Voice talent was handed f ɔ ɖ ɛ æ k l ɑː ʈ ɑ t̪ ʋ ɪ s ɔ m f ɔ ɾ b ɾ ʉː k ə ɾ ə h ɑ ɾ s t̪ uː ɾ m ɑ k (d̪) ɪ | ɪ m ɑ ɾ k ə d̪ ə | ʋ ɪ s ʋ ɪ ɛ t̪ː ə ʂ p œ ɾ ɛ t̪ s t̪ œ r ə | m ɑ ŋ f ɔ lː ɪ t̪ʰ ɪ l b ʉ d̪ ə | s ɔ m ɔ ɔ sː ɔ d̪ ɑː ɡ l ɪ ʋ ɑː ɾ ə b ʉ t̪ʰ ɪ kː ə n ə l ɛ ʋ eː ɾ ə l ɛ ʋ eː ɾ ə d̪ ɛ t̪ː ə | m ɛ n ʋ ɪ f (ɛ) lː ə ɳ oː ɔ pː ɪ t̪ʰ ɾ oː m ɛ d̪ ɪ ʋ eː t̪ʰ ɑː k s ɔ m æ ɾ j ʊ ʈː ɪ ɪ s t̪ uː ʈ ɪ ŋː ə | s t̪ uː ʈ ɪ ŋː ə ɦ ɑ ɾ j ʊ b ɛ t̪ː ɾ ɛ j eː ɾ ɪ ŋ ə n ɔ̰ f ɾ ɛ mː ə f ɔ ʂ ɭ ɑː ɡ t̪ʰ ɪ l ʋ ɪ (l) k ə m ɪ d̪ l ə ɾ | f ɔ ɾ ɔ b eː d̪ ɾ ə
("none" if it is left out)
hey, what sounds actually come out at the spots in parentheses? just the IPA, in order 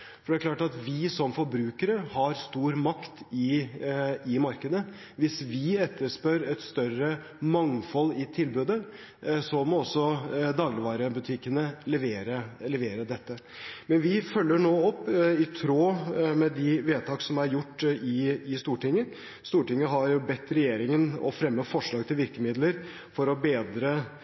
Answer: t̪, œ, ɾ

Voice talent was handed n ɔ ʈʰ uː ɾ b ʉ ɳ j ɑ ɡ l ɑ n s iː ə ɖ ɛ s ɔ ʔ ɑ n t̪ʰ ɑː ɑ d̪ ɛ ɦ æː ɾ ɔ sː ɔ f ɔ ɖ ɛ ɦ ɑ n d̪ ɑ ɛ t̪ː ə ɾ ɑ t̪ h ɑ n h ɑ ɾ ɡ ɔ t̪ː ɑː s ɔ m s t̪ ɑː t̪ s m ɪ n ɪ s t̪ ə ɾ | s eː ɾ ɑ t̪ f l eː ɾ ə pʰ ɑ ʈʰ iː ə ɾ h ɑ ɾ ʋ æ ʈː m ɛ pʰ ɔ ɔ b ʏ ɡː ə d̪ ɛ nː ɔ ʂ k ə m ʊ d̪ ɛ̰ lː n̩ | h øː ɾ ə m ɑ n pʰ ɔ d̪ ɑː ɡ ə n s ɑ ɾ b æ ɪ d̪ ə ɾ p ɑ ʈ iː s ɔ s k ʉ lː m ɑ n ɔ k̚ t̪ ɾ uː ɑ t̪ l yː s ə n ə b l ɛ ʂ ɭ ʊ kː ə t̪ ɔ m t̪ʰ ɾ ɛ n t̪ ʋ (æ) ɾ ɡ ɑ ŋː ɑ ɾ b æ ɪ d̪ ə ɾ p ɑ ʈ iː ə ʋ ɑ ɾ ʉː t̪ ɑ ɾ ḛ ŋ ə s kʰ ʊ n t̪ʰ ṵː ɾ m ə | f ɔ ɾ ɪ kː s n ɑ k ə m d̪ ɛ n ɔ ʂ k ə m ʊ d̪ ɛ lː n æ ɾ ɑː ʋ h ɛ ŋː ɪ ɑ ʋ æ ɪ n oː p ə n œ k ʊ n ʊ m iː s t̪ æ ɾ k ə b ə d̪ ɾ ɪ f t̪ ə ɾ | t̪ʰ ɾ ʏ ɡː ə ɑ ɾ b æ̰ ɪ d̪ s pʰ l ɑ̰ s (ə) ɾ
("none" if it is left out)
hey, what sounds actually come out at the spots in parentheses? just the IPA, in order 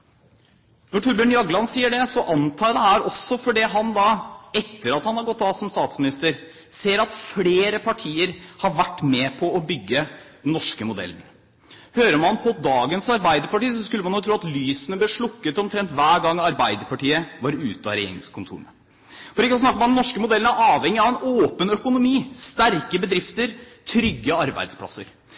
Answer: æː, ə

